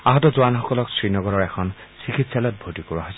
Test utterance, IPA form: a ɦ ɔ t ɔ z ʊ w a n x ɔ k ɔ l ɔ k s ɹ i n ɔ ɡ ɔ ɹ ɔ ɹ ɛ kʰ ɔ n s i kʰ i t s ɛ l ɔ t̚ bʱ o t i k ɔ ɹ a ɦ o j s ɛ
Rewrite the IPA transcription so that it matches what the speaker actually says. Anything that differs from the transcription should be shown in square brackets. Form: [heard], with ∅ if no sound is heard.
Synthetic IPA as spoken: a ɦ ɔ t ɔ z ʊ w a n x ɔ k ɔ l ɔ k s ɹ i n ɔ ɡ ɔ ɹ ɔ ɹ ɛ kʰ ɔ n s i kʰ i t s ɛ l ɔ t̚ bʱ o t i k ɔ ɹ a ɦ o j s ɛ

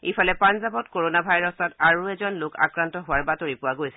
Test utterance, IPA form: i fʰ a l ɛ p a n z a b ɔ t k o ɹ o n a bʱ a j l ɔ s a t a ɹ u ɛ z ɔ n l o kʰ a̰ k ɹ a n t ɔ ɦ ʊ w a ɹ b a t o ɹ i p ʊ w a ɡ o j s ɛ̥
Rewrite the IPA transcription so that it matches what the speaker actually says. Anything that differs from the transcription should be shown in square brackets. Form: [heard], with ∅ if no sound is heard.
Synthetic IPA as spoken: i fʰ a l ɛ p a n z a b ɔ t k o ɹ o n a bʱ a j [ɹ] ɔ s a t a ɹ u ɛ z ɔ n l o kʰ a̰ k ɹ a n t ɔ ɦ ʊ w a ɹ b a t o ɹ i p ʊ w a ɡ o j s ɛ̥

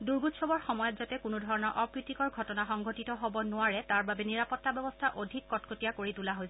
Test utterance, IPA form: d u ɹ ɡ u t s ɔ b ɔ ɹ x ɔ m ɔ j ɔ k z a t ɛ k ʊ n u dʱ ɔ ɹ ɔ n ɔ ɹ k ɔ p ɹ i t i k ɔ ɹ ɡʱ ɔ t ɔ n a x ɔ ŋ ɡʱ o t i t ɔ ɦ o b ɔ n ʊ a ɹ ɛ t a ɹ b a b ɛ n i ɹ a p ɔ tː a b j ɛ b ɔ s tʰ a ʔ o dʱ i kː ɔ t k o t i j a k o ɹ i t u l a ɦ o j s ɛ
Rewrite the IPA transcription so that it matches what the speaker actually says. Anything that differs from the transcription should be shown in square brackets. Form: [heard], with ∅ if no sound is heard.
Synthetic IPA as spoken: d u ɹ ɡ u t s ɔ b ɔ ɹ x ɔ m ɔ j ɔ [t] z a t ɛ k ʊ n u dʱ ɔ ɹ ɔ n ɔ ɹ [ʔ] ɔ p ɹ i t i k ɔ ɹ ɡʱ ɔ t ɔ n a x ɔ ŋ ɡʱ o t i t ɔ ɦ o b ɔ n ʊ a ɹ ɛ t a ɹ b a b ɛ n i ɹ a p ɔ tː a b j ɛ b ɔ s tʰ a ʔ o dʱ i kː ɔ t k o t i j a k o ɹ i t u l a ɦ o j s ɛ

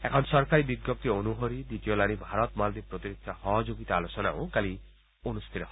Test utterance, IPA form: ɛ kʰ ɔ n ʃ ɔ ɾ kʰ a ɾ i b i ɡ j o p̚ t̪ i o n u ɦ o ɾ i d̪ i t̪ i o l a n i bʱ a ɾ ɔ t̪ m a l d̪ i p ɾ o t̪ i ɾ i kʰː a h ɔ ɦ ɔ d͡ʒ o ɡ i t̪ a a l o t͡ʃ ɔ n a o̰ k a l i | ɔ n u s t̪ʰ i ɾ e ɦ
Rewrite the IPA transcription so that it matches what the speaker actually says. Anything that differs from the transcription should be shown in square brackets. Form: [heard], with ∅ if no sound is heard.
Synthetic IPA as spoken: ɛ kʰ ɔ n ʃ ɔ ɾ [k] a ɾ i b i ɡ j o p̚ t̪ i o n u ɦ o ɾ i d̪ i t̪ i o l a n i bʱ a ɾ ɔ t̪ m a l d̪ i p ɾ o t̪ i ɾ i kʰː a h ɔ ɦ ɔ d͡ʒ o ɡ i t̪ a a l o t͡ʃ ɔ n a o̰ k a l i | [o] n u s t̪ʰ i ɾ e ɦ

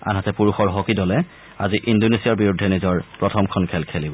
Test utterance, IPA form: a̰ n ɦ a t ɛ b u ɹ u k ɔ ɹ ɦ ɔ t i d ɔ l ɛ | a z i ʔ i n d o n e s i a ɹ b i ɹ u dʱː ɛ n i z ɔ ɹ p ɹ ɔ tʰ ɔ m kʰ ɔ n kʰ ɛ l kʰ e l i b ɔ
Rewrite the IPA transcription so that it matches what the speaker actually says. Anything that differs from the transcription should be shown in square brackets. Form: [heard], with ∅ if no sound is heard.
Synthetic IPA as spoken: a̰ n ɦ a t ɛ [p] u ɹ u [x] ɔ ɹ ɦ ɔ [k] i d ɔ l ɛ | a z i ʔ i n d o n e s i a ɹ b i ɹ u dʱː ɛ n i z ɔ ɹ p ɹ ɔ tʰ ɔ m kʰ ɔ n kʰ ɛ l kʰ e l i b ɔ

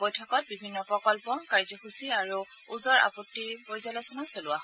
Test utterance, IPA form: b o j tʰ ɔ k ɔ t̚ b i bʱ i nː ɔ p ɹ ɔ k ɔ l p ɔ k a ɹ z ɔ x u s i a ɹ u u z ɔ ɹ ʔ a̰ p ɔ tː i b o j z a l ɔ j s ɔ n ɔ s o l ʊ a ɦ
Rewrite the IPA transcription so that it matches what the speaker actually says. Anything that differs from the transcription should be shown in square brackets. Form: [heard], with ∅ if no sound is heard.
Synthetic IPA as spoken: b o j tʰ ɔ k ɔ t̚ b i bʱ i nː ɔ p ɹ ɔ k ɔ l p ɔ k a ɹ z ɔ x u s i a ɹ u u z ɔ ɹ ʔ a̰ p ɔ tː i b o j z a l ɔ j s ɔ n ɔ s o l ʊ a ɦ

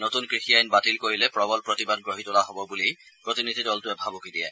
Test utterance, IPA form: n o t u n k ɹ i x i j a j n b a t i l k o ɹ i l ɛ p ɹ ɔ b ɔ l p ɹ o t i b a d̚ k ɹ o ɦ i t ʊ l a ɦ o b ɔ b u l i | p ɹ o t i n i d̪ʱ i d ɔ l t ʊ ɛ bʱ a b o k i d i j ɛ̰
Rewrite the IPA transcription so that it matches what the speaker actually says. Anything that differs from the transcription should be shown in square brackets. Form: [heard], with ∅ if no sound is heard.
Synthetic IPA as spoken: n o t u n k ɹ i x i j a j n b a t i l k o ɹ i l ɛ p ɹ ɔ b ɔ l p ɹ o t i b a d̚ [ɡ] ɹ o ɦ i t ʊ l a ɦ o b ɔ b u l i | p ɹ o t i n i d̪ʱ i d ɔ l t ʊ ɛ bʱ a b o k i d i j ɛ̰

